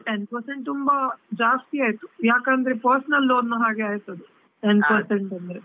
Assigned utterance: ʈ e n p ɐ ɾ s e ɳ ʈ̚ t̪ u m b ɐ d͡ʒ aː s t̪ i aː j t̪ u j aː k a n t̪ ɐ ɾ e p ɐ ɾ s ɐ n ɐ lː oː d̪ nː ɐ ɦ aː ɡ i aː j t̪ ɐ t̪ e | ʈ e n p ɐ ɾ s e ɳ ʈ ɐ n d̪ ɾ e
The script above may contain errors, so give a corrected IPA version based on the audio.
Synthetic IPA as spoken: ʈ e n p ɐ ɾ s e ɳ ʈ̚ t̪ u m b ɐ d͡ʒ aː s t̪ i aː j t̪ u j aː k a n d̪ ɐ ɾ e p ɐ ɾ s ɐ n ɐ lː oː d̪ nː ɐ ɦ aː ɡ e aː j t̪ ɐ d̪ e | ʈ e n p ɐ ɾ s e ɳ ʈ ɐ n d̪ ɾ e